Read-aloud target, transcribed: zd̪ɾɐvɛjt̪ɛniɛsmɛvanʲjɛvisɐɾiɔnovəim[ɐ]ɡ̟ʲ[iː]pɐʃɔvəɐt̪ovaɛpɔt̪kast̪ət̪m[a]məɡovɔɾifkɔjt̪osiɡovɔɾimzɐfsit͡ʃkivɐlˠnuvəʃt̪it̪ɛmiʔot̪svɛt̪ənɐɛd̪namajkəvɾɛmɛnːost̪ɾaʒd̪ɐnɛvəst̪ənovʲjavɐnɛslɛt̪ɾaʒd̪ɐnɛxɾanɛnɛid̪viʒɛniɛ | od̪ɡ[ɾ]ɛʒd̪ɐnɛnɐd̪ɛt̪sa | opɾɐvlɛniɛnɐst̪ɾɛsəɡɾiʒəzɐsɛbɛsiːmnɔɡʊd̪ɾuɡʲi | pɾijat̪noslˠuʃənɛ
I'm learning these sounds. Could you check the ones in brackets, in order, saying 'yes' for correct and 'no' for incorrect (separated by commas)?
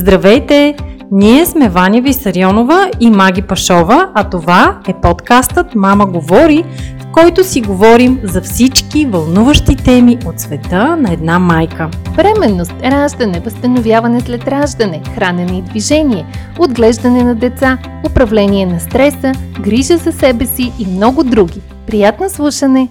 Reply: no, no, yes, no